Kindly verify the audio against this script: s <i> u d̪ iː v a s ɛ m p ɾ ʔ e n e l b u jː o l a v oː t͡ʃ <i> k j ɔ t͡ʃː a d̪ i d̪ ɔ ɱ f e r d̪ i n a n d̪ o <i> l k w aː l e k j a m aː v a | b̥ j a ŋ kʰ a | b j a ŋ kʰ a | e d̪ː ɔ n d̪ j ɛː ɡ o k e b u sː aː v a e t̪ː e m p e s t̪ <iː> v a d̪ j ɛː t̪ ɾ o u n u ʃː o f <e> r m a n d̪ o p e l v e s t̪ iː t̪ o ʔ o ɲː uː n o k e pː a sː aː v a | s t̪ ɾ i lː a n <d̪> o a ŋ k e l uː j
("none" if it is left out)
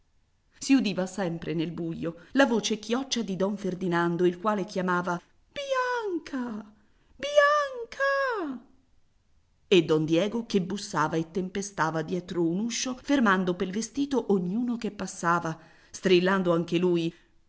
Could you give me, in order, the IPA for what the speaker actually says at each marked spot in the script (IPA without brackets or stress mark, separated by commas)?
i, e, i, aː, e, d̪